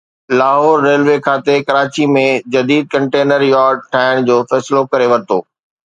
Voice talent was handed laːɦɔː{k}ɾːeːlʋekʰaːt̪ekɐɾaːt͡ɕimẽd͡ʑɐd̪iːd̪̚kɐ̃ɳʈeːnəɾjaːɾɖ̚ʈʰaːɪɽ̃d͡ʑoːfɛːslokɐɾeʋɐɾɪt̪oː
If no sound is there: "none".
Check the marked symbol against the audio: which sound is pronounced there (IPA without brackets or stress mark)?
none